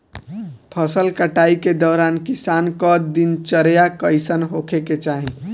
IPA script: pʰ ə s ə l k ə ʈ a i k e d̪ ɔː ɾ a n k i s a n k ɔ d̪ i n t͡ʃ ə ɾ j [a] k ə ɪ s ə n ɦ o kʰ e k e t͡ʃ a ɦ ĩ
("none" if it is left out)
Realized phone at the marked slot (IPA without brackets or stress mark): a